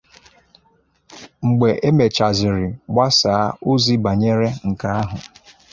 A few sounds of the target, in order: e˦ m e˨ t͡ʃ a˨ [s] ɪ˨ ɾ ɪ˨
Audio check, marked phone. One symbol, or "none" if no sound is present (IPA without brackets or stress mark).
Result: z